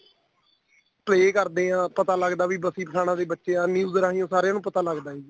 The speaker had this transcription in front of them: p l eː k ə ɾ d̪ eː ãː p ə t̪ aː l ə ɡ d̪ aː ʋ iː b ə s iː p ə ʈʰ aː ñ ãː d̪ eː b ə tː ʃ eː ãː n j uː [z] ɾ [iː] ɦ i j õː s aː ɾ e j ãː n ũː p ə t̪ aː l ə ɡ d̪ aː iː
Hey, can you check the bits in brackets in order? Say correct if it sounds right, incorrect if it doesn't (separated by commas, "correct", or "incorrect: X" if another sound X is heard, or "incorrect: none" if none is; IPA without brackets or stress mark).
correct, incorrect: aː